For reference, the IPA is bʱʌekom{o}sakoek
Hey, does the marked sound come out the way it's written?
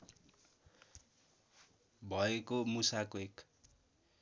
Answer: no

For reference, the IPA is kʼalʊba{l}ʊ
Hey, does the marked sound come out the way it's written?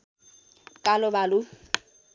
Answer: yes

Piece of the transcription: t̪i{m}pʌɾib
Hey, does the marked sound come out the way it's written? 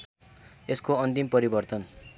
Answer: yes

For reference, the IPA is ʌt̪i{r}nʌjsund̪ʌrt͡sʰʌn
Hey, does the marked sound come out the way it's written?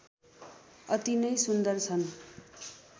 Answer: no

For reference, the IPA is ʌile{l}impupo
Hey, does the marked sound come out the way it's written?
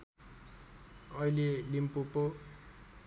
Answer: yes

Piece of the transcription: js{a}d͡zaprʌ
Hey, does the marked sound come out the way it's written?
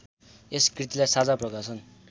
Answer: yes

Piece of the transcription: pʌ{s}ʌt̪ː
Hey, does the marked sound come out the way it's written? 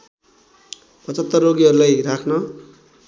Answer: no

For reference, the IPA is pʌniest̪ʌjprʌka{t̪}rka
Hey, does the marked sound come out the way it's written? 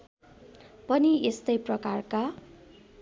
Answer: no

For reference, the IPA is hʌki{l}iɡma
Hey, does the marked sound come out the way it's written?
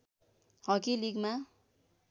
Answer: yes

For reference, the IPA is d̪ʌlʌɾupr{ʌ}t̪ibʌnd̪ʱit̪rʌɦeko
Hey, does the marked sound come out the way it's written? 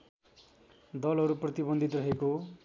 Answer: yes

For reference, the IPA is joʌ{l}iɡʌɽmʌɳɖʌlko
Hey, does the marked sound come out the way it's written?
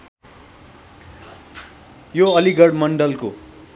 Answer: yes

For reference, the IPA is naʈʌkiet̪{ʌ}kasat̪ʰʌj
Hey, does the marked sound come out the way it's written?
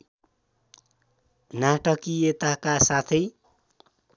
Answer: no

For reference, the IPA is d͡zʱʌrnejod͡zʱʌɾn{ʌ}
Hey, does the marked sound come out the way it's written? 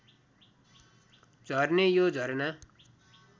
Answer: no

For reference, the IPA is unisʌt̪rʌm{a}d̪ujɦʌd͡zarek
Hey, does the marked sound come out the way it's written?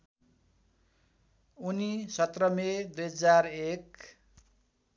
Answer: no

